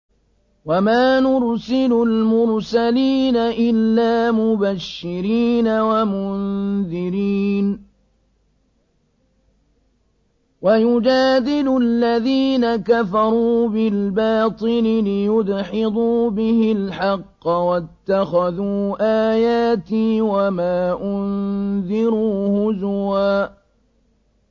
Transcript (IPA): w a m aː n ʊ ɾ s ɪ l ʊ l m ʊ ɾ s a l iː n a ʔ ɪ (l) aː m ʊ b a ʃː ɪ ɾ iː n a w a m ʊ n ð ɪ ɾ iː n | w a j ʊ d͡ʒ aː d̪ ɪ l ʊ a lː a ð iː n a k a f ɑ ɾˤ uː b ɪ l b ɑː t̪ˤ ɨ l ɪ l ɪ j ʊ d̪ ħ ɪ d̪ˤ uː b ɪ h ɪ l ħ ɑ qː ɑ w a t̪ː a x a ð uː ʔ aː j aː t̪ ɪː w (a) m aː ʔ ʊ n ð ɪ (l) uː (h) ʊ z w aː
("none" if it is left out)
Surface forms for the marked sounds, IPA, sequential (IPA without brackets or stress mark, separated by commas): lː, a, ɾ, h